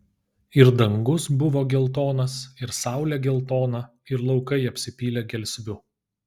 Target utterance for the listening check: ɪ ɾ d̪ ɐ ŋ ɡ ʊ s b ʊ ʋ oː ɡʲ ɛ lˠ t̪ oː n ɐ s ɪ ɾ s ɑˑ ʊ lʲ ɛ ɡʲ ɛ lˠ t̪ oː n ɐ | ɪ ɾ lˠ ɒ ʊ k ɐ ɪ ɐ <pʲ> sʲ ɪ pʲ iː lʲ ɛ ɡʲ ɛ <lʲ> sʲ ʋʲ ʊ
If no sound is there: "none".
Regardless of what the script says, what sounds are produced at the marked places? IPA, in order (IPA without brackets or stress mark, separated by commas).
pʲ, lʲ